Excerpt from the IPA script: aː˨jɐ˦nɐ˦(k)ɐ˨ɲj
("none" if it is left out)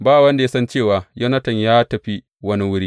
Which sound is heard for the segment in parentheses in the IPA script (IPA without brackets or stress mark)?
t